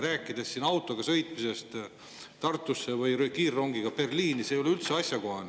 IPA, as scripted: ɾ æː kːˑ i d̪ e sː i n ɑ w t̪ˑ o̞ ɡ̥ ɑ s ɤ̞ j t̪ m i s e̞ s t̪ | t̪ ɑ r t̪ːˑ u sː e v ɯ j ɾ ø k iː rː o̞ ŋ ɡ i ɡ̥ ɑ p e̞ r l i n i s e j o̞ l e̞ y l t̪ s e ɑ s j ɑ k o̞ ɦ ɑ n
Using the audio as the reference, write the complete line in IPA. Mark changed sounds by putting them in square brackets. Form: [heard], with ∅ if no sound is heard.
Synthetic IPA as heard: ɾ æː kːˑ i d̪ e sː i n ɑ w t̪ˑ o̞ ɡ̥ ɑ s ɤ̞ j t̪ m i s e̞ s t̪ | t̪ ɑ r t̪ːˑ u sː e v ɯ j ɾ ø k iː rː o̞ ŋ ɡ i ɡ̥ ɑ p e̞ r l [iː] n i s e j o̞ l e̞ y l t̪ s e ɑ s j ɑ k o̞ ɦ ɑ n